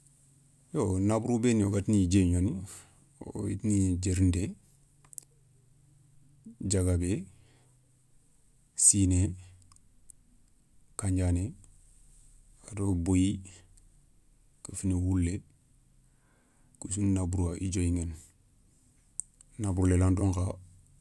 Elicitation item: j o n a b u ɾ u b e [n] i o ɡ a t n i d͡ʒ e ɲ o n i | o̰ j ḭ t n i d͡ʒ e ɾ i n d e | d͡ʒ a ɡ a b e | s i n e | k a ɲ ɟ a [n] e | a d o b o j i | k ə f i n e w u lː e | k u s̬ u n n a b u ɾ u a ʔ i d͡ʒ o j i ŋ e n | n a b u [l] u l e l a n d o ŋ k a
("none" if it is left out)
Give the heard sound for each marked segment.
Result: n, n, ɾ

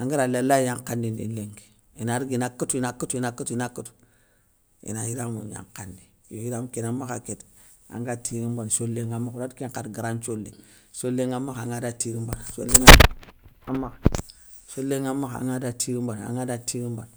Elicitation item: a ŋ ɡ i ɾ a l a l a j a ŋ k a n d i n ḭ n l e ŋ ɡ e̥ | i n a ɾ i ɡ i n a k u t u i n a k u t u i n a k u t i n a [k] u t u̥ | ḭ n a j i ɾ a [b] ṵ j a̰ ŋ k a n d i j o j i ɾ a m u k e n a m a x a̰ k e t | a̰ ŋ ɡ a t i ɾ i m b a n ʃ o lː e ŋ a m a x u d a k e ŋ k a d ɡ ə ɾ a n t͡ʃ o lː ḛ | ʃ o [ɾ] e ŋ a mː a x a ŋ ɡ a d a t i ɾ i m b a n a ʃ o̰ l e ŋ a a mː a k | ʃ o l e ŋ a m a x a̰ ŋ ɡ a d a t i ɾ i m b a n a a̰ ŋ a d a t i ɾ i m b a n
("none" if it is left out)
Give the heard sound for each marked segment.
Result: k, m, l

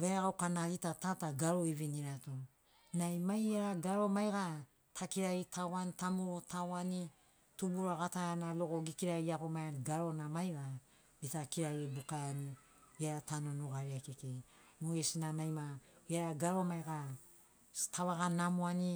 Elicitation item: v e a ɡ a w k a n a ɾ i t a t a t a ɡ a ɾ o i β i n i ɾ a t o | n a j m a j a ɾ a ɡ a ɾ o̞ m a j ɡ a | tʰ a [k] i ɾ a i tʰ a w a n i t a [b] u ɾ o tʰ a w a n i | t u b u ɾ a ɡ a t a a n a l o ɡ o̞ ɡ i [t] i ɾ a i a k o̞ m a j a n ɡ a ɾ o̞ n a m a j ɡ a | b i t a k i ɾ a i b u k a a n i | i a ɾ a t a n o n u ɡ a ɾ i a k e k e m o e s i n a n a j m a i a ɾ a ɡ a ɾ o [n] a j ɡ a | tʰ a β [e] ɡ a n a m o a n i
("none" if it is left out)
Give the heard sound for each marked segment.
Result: k, m, k, m, a

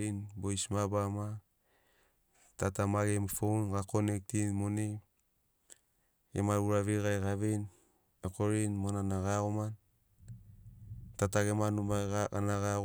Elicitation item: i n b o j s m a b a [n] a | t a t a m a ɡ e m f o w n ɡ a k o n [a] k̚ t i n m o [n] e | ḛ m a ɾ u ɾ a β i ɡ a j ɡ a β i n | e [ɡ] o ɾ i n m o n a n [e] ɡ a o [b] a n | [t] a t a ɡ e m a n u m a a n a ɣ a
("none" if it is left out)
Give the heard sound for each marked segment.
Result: m, e, n, k, a, m, t

